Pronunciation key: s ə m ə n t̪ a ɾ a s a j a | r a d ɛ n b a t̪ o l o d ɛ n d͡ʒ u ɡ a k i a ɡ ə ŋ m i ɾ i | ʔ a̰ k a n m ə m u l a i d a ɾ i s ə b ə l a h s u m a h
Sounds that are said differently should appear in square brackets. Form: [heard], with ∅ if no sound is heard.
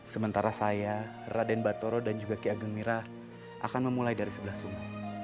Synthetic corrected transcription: s ə m ə n t̪ a ɾ a s a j a | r a d ɛ n b a t̪ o [ɾ] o d [a] n d͡ʒ u ɡ a k i a ɡ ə ŋ m i ɾ [a] | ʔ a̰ k a n m ə m u l a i d a ɾ i s ə b ə l a h s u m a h